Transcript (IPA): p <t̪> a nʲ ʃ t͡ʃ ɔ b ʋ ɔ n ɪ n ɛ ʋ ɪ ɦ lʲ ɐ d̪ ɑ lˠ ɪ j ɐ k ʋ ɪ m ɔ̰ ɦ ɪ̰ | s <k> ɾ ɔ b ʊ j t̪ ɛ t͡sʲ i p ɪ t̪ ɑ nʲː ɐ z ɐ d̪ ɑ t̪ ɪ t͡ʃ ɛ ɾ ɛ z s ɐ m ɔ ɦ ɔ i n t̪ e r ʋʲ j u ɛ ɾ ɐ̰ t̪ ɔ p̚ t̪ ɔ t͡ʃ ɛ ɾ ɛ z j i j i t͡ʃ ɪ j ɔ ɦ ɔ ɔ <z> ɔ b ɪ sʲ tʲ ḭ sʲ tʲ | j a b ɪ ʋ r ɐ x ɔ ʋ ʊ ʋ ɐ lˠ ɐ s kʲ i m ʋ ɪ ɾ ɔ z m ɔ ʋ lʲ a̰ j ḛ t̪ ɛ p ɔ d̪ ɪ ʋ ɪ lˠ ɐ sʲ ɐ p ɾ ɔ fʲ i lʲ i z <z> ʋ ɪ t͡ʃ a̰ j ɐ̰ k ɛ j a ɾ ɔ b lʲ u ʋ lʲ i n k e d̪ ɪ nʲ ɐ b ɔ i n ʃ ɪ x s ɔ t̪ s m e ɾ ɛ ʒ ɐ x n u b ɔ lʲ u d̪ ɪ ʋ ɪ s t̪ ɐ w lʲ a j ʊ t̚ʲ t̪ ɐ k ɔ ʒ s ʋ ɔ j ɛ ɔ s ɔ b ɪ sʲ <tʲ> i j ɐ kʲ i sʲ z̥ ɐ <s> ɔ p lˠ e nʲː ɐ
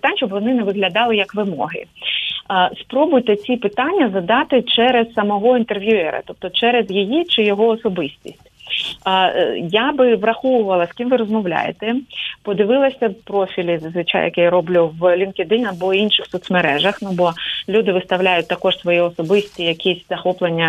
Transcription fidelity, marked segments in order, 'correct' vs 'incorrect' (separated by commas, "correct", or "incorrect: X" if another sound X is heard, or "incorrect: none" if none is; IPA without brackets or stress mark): correct, incorrect: p, incorrect: s, correct, correct, incorrect: x